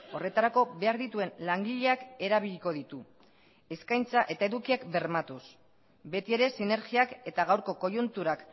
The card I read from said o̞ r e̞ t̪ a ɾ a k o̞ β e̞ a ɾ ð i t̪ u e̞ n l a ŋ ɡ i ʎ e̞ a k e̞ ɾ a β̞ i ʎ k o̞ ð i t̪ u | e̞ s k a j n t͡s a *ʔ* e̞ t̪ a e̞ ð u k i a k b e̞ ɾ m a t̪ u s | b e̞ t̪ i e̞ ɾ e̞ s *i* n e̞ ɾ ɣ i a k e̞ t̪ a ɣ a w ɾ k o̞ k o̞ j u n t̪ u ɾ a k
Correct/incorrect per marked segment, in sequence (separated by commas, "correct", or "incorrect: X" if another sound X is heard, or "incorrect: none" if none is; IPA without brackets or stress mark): correct, correct